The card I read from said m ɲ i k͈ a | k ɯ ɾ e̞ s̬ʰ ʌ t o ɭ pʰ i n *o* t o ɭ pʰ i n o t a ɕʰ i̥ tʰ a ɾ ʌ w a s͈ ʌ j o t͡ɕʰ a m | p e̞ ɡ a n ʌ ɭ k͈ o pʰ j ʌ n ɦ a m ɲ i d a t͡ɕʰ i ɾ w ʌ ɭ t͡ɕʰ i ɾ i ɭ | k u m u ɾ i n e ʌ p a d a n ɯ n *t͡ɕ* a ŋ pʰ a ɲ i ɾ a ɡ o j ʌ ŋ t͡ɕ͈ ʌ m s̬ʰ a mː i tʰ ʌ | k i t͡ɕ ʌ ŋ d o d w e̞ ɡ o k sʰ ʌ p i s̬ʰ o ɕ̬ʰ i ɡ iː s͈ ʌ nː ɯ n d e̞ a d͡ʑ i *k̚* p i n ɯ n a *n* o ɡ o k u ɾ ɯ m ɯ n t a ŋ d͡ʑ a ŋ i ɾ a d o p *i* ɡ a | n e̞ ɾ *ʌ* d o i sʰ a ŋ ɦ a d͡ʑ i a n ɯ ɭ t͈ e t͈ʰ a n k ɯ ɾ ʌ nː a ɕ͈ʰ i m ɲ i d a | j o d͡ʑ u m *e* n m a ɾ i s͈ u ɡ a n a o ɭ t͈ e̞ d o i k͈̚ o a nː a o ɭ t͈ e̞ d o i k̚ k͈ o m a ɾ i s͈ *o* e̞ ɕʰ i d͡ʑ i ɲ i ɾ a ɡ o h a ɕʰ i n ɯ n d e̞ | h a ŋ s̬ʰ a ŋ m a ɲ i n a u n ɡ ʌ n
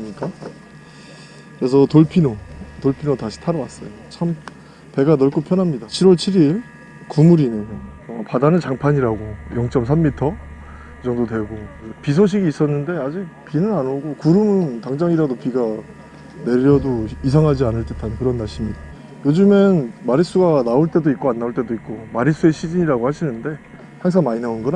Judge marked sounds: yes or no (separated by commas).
yes, yes, yes, yes, yes, yes, yes, no